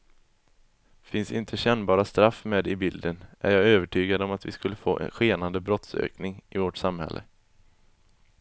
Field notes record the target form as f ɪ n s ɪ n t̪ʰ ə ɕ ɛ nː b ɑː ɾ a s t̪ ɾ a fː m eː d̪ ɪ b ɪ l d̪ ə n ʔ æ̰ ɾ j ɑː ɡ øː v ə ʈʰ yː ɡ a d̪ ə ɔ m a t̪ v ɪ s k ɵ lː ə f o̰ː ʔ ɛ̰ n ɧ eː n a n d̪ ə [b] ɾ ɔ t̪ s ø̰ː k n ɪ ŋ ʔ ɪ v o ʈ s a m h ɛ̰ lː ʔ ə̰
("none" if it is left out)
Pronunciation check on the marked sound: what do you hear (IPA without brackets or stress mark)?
b